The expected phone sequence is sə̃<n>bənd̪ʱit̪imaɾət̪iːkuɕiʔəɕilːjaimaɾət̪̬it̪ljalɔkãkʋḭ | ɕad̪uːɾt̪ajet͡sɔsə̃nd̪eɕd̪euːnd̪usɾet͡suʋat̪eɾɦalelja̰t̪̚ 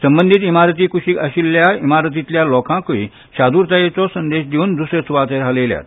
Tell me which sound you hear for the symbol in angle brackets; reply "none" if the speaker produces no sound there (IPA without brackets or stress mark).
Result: m